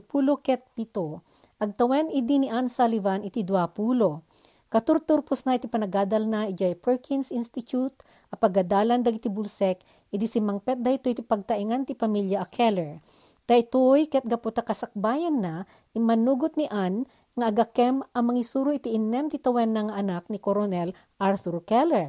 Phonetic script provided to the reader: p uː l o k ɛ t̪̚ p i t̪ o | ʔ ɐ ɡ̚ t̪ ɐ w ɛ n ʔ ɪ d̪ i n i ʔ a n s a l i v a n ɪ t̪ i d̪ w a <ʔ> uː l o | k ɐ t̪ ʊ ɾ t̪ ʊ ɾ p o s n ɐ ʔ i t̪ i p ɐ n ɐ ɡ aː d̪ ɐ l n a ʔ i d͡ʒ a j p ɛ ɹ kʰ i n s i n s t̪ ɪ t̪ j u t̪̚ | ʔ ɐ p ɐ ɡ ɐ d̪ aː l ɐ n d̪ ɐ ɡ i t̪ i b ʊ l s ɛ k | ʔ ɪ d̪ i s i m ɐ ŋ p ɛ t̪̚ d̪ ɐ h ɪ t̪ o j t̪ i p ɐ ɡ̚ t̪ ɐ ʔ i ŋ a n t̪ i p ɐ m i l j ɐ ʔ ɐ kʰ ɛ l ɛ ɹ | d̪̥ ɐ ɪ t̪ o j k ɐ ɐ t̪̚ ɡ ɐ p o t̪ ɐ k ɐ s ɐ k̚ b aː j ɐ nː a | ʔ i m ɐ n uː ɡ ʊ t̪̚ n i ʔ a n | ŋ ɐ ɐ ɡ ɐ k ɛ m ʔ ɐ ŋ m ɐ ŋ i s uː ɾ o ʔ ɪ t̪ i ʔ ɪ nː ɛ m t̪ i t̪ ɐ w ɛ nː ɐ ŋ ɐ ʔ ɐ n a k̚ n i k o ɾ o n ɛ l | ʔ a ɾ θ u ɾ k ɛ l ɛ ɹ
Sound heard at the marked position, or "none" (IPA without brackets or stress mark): p